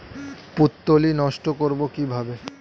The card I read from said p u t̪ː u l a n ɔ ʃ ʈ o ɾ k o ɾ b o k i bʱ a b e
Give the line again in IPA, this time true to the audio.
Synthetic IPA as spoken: p u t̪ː o l i n ɔ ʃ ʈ o k o ɾ b o k i bʱ a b e